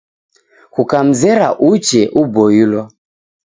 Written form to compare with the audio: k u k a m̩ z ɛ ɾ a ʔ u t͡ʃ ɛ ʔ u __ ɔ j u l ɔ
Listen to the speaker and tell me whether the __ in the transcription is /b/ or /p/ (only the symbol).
b